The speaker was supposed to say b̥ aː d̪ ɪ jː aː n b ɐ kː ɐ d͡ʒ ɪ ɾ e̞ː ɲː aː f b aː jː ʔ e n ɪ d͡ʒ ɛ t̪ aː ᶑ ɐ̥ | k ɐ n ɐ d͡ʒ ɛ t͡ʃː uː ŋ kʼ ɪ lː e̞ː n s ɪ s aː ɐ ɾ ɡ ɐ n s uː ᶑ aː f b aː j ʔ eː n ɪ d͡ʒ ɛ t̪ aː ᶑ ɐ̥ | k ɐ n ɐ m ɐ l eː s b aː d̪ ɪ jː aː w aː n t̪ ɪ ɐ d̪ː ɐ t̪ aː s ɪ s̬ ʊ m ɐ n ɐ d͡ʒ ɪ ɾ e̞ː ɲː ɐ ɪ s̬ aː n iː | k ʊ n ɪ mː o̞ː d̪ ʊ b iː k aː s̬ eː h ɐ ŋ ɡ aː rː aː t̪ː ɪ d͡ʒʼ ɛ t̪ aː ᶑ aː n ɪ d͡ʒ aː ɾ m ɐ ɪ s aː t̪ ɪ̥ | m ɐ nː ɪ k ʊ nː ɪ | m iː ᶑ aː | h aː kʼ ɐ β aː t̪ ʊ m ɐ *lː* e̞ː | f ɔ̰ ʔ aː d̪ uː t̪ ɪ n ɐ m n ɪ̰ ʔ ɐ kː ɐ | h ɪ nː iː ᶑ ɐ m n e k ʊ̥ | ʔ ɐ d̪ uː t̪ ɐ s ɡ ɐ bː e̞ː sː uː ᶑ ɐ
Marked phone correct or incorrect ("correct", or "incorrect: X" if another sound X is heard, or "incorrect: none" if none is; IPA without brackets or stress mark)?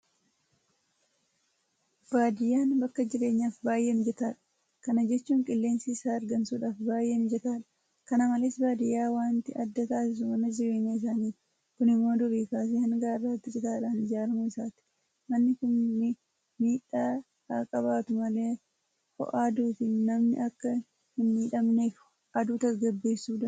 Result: incorrect: l